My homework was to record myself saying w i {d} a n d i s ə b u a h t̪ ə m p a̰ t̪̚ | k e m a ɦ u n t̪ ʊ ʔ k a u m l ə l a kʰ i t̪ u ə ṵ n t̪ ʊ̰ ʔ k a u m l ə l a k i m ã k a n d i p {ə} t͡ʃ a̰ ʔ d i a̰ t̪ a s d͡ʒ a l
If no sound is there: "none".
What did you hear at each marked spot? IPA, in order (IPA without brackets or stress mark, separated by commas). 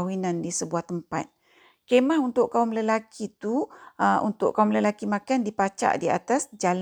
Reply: n, a